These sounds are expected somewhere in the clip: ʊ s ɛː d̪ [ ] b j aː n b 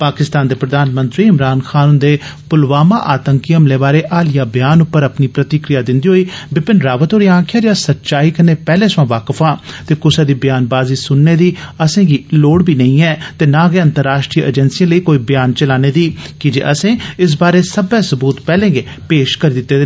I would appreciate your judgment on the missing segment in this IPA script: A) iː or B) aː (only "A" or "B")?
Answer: A